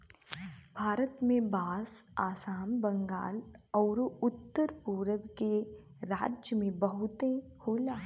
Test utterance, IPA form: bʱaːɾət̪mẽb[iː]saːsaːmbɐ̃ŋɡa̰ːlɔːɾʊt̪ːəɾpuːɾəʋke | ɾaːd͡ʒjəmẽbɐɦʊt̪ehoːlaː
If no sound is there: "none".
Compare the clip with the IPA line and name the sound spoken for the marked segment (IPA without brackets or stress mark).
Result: aː